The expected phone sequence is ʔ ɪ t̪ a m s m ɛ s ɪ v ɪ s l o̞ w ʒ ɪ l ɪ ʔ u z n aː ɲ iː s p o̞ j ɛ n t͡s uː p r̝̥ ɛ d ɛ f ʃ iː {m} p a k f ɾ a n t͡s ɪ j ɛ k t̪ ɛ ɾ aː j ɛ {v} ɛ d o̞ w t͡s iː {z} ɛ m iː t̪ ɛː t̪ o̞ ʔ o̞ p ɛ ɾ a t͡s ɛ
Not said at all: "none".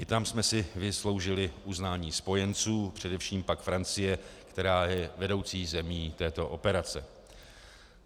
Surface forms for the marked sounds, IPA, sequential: m, v, z

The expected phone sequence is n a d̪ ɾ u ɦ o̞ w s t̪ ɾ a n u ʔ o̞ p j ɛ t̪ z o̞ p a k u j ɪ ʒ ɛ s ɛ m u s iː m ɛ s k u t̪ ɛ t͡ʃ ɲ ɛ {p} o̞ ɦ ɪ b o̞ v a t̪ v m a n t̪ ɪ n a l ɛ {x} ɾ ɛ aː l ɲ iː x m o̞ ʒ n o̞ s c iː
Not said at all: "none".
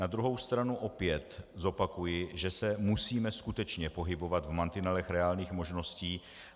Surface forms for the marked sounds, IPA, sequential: p, x

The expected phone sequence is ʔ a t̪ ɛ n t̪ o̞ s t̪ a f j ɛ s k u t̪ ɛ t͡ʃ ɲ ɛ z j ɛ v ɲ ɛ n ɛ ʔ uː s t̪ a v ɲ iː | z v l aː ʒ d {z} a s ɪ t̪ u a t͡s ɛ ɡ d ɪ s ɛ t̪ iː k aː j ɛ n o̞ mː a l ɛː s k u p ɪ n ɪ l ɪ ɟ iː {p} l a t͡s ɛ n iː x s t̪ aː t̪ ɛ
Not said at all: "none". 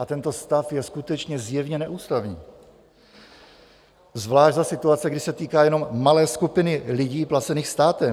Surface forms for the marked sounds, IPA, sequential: z, p

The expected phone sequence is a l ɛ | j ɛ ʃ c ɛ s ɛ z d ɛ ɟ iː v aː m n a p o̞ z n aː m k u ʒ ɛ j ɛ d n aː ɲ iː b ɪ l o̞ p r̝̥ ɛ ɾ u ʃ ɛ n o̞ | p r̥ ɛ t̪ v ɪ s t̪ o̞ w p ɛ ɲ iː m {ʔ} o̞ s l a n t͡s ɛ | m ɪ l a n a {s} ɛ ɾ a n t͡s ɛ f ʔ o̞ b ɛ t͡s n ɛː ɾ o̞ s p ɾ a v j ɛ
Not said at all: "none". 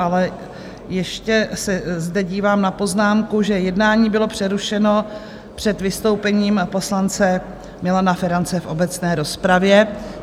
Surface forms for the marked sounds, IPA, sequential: p, f

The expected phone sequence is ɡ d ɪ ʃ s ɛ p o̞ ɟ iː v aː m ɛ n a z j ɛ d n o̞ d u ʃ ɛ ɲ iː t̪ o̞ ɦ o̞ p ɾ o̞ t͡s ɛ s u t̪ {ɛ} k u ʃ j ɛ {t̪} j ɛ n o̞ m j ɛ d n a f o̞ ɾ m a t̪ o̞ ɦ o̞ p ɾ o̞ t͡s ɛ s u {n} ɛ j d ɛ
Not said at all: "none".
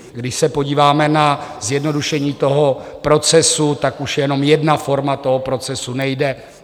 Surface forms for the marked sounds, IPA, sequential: a, none, n

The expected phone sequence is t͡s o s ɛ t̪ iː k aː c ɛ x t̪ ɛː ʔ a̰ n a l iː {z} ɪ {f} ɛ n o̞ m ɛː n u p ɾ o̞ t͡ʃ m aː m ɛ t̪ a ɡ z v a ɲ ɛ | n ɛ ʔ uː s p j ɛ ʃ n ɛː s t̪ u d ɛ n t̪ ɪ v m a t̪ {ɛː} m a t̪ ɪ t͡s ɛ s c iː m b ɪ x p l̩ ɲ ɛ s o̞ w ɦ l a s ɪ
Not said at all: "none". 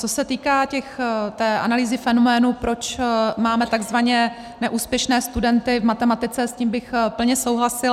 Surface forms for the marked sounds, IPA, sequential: z, f, ɛ

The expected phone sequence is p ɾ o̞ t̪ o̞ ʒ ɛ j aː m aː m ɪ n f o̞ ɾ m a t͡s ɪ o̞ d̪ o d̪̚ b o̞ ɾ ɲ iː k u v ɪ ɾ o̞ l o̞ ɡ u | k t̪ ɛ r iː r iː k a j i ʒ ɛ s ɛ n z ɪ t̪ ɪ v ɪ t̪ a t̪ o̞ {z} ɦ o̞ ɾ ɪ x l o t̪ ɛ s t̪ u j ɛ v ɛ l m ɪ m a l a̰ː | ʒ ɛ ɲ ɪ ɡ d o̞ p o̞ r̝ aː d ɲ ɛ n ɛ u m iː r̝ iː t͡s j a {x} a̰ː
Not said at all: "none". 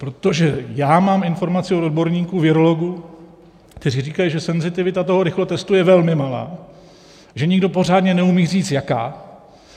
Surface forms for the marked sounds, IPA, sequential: none, k

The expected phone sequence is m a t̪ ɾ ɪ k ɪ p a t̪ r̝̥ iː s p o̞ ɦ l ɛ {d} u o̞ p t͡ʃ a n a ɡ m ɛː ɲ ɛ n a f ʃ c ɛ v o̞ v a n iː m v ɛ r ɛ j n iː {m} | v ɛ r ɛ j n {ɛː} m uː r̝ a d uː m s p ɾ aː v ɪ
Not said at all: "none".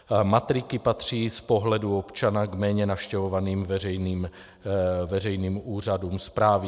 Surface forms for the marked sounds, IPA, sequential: d, m, iː

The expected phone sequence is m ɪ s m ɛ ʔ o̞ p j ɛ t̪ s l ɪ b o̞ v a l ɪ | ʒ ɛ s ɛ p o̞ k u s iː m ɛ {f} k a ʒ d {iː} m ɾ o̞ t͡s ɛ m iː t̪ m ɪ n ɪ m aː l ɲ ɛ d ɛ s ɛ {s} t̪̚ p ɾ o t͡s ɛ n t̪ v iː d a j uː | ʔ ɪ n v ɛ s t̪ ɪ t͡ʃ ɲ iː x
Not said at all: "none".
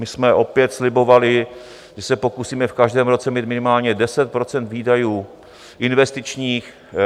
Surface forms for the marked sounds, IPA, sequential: f, ɛː, none

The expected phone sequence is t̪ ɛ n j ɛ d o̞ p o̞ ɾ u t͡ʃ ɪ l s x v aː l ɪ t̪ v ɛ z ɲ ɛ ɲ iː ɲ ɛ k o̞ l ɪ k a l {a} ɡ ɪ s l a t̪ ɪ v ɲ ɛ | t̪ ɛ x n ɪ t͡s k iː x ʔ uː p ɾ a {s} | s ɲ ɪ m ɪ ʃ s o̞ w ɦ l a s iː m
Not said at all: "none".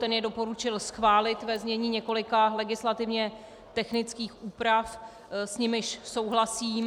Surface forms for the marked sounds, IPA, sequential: ɛ, f

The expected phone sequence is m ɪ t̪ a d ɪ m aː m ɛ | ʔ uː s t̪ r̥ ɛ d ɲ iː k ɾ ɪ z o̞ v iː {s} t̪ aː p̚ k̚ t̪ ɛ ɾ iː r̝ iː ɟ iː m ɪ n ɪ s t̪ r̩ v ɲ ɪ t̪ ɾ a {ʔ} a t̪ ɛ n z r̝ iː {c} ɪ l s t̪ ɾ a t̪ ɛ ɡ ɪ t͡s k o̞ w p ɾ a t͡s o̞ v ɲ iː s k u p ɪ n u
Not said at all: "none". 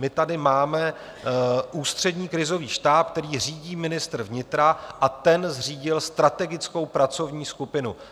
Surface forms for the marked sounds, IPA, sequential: ʃ, ʔ, ɟ

